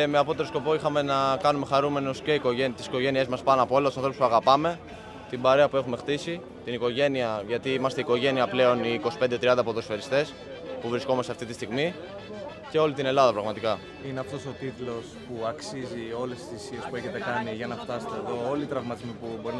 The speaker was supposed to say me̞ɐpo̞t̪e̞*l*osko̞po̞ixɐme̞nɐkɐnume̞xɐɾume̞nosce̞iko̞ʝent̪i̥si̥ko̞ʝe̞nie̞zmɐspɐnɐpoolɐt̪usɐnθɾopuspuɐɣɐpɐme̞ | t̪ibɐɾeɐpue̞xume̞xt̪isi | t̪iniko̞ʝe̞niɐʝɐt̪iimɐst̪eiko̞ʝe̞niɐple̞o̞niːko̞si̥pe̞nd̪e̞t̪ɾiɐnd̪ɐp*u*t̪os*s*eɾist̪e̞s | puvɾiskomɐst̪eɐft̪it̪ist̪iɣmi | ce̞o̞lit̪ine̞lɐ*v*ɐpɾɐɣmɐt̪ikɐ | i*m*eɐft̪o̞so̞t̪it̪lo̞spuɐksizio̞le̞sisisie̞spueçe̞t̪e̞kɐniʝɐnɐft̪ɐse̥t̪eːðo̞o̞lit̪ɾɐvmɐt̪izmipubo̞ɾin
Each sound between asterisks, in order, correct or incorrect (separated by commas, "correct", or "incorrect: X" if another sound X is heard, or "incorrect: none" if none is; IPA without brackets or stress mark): incorrect: ɾ, incorrect: o, incorrect: f, incorrect: ð, incorrect: n